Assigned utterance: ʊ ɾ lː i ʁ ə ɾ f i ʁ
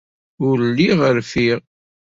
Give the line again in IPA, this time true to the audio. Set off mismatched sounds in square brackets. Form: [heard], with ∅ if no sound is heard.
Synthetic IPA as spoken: ʊ ɾ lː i ʁ ə ɾ f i ʁ

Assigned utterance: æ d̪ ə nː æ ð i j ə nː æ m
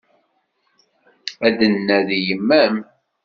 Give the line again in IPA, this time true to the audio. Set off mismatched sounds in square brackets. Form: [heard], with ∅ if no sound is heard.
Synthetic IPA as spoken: æ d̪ ə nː æ ð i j ə [mː] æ m

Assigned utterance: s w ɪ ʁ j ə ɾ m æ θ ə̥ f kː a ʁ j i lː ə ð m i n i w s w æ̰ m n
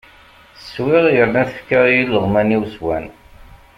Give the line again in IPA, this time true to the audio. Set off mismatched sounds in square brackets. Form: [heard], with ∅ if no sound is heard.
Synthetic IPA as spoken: s w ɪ ʁ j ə ɾ [n] æ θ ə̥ f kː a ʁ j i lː ə [ʁ] m [æ] n i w s w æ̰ [∅] n

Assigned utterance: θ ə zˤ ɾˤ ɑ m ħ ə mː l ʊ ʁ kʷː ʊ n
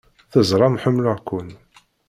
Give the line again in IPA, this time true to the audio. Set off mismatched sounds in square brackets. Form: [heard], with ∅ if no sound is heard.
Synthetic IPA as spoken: θ ə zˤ ɾˤ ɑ m ħ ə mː l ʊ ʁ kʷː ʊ n

